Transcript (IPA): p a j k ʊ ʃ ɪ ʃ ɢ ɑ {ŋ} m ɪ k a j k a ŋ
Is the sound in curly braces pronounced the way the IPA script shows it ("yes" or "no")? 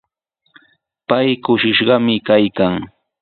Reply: no